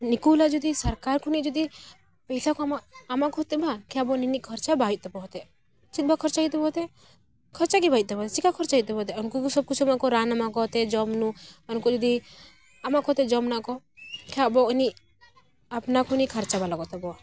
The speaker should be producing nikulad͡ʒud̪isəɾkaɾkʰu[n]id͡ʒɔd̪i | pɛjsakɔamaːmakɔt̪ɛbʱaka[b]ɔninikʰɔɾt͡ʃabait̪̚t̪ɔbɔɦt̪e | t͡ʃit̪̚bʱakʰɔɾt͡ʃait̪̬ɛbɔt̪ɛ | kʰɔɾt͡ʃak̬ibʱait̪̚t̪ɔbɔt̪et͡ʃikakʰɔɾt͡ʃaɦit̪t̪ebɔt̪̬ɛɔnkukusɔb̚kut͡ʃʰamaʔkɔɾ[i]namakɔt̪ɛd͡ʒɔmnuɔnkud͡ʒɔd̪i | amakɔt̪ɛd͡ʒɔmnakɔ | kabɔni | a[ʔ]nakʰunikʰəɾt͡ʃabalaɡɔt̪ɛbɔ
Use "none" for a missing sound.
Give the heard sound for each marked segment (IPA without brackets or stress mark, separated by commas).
n, b, a, p